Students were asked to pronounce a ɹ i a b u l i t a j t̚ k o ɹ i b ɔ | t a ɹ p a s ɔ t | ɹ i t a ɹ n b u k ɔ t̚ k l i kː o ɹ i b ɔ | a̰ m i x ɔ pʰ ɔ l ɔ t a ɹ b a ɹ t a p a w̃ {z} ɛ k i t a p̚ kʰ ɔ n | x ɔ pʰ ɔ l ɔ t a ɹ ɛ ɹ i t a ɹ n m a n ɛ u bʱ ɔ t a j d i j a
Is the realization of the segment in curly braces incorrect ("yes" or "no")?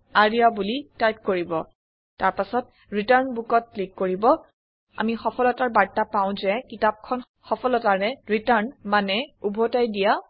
no